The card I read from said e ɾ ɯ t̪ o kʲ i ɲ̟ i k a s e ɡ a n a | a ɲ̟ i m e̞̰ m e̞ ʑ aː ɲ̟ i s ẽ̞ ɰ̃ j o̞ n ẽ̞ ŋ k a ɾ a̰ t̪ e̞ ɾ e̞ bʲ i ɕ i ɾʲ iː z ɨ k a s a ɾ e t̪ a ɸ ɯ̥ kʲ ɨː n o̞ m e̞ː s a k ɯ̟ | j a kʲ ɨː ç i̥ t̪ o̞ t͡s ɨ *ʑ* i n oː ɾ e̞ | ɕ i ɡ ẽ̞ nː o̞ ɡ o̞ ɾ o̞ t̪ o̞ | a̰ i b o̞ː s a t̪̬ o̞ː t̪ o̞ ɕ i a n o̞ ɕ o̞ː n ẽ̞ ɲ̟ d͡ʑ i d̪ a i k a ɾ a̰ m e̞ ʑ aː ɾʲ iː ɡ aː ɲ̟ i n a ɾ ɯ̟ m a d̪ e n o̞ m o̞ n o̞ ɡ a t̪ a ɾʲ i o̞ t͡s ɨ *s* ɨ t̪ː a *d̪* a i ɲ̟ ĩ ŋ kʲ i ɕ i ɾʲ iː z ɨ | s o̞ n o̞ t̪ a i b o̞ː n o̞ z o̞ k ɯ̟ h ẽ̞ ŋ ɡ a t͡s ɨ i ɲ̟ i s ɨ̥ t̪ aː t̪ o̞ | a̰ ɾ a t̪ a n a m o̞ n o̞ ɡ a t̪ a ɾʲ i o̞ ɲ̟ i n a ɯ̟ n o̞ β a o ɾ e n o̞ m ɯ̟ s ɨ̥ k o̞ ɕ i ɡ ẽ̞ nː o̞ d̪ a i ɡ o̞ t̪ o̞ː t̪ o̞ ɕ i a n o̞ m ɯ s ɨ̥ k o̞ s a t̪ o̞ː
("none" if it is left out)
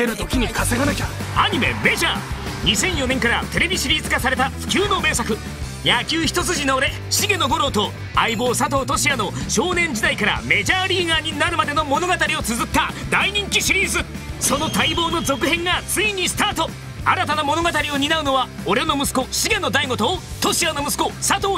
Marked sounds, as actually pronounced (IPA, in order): ʑ, z, d̪

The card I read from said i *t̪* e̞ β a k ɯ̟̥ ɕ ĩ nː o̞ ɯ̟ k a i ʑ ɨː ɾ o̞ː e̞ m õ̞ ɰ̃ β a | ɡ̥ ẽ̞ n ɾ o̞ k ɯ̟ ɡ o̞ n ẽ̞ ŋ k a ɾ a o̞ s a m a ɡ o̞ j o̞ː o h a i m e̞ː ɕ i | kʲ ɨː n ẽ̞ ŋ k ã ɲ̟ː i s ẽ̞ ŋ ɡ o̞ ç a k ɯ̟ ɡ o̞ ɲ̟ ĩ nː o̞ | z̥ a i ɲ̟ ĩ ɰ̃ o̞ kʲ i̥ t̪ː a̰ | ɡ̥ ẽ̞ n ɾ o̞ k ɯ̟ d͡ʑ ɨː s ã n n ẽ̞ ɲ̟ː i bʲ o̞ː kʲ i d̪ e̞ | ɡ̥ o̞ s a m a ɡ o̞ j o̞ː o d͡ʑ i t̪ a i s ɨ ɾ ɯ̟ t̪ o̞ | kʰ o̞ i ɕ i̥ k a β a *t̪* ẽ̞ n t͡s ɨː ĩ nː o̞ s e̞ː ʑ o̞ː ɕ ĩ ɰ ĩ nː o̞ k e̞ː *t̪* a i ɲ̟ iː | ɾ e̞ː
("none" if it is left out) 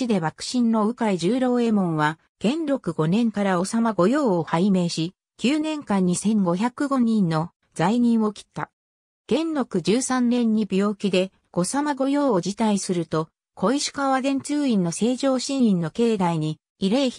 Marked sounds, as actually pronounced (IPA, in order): d̪, d̪, d̪

